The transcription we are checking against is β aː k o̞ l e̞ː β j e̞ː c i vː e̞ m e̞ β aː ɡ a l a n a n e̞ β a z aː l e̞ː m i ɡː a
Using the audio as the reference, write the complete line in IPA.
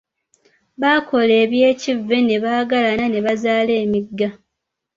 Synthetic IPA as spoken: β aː k o̞ l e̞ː β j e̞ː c i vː e̞ n e̞ β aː ɡ a l a n a n e̞ β a z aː l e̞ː m i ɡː a